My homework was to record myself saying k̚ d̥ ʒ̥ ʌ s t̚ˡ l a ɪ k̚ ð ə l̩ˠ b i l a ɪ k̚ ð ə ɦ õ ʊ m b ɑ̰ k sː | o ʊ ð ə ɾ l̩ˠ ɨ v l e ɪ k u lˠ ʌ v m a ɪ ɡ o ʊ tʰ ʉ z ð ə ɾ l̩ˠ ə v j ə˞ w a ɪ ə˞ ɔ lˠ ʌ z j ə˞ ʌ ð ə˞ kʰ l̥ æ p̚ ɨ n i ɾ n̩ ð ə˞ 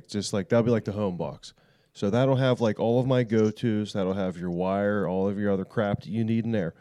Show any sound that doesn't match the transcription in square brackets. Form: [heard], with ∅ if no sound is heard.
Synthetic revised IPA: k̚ d̥ ʒ̥ ʌ s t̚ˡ l a ɪ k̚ ð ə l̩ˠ b i l a ɪ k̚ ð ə ɦ õ [ʊ̃] m b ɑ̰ k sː | o ʊ ð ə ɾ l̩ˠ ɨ v l [a] ɪ k [ɔ] lˠ ʌ v m a ɪ ɡ o ʊ tʰ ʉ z ð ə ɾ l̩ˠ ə v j ə˞ w a ɪ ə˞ ɔ lˠ ʌ [v] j ə˞ ʌ ð ə˞ kʰ [ɹ̥] æ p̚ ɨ n i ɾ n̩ ð ə˞